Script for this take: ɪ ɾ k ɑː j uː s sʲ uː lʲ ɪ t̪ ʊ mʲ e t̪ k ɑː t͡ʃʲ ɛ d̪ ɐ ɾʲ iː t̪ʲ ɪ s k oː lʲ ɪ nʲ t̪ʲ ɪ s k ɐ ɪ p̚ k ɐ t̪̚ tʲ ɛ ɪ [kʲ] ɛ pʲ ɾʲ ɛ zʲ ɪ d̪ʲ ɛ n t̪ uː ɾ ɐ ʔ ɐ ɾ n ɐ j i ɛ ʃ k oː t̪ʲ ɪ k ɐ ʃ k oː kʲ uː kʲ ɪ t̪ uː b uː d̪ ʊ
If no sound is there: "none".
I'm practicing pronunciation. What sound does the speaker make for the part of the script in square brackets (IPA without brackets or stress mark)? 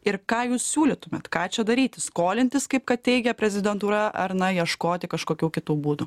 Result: ɡʲ